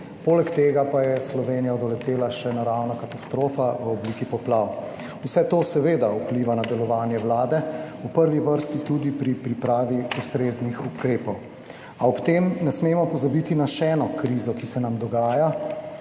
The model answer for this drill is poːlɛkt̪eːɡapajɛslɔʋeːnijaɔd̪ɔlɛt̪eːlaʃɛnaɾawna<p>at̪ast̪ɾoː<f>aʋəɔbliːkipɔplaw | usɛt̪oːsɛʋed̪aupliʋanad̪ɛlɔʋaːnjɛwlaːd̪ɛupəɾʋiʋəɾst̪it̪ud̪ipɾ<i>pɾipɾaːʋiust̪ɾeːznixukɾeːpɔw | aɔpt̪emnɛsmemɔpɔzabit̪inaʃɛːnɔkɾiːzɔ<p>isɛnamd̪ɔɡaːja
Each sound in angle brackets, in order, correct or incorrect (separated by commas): incorrect, correct, correct, incorrect